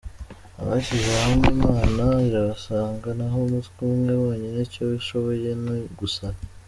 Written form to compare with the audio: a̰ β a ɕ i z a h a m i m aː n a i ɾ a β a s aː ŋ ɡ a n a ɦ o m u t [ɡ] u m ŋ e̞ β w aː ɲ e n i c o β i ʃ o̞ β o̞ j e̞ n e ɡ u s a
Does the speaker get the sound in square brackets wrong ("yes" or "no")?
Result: yes